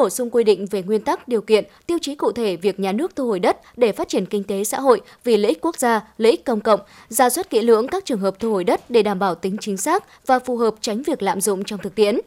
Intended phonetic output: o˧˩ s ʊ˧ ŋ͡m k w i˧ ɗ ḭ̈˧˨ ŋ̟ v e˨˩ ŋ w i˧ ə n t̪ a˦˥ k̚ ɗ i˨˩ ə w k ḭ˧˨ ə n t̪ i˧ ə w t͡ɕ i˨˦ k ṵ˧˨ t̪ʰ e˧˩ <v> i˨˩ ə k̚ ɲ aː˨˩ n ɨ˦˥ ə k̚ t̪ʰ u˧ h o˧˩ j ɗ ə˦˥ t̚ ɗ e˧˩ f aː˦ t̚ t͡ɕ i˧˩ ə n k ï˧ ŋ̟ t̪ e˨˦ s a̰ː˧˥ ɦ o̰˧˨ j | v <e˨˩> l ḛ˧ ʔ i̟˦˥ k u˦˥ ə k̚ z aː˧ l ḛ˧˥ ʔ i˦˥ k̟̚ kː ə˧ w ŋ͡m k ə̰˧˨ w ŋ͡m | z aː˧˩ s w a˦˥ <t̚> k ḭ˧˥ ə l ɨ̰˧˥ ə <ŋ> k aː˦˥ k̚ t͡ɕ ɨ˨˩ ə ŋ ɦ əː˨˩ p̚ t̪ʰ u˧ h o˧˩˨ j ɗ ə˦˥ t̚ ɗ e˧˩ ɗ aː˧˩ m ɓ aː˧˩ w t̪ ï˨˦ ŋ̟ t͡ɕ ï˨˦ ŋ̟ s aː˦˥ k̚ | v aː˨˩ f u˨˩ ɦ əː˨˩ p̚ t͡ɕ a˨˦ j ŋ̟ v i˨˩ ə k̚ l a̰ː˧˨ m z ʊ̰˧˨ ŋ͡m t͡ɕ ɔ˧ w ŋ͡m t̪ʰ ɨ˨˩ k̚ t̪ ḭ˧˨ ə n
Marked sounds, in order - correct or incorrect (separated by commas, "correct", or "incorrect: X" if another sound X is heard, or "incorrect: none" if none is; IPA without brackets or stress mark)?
correct, incorrect: i˨˩, correct, correct